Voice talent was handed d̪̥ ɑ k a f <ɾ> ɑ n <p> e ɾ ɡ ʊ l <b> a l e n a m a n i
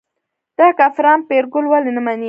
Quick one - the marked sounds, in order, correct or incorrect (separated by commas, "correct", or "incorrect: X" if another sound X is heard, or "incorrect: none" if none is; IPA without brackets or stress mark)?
correct, correct, incorrect: w